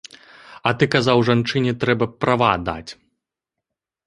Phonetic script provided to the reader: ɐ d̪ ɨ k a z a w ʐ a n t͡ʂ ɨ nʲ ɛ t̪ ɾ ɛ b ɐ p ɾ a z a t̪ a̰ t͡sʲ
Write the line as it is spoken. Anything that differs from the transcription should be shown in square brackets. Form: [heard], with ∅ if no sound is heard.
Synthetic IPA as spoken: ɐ [t̪] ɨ k a z a w ʐ a n t͡ʂ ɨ nʲ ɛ t̪ ɾ ɛ b ɐ p ɾ a [v] a [d̪] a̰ t͡sʲ